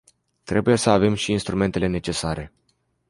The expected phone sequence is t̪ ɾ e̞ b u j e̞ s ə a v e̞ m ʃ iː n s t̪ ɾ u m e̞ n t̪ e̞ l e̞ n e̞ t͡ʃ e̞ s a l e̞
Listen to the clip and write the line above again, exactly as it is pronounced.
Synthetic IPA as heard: t̪ ɾ e̞ b u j e̞ s ə a v e̞ m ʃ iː n s t̪ ɾ u m e̞ n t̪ e̞ l e̞ n e̞ t͡ʃ e̞ s a ɾ e̞